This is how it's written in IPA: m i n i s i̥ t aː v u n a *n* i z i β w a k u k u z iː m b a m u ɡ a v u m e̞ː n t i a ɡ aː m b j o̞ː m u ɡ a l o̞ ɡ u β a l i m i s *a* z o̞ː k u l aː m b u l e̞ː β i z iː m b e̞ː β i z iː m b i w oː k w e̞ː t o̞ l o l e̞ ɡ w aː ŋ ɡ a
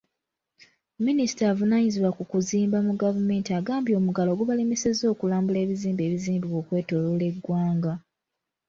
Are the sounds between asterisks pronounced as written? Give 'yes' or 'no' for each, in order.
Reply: no, no

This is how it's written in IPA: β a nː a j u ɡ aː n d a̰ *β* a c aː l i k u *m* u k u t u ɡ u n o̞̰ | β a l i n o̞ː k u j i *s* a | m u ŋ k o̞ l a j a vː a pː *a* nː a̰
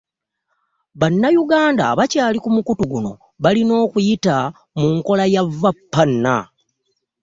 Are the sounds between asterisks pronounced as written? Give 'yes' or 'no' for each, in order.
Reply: yes, yes, no, yes

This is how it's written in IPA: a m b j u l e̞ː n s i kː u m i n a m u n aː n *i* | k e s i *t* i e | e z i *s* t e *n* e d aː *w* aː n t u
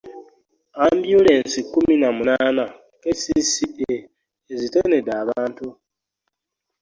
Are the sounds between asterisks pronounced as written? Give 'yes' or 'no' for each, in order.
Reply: no, no, no, yes, no

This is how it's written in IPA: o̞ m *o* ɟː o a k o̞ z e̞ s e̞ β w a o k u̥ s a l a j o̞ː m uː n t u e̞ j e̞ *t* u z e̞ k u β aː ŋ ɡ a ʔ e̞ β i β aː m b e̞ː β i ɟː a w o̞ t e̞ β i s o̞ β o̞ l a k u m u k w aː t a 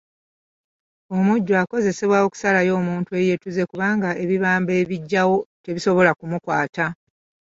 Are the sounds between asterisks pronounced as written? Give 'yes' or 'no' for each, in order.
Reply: no, yes

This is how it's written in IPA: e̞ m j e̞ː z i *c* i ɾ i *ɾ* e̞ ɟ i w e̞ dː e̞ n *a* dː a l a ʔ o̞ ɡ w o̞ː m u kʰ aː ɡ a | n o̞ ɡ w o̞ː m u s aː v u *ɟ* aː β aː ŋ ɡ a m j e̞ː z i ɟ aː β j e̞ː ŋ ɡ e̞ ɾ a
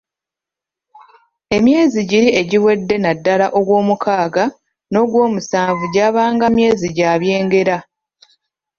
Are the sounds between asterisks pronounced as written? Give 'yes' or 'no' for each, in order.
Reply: no, no, yes, yes

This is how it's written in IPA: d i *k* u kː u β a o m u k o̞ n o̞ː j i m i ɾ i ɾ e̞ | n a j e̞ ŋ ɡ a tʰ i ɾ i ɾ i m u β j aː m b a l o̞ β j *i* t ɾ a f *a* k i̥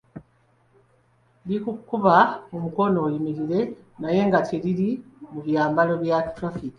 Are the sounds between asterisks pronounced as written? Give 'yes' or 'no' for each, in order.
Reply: yes, no, no

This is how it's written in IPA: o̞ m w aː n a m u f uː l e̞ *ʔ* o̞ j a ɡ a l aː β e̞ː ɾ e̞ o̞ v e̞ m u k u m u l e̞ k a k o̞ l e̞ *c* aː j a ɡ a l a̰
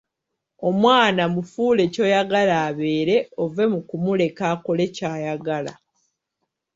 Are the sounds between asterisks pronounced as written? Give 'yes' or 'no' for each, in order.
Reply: no, yes

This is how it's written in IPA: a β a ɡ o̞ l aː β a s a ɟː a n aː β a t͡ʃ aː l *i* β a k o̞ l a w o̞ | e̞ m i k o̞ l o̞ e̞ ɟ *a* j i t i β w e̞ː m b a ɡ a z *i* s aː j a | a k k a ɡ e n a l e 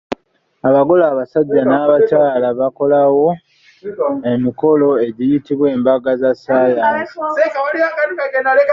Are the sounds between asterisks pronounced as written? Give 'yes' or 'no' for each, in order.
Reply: no, no, no

